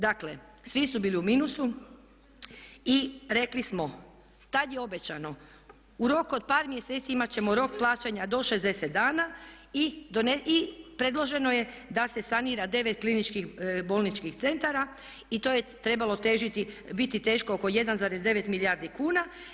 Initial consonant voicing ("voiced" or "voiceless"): voiced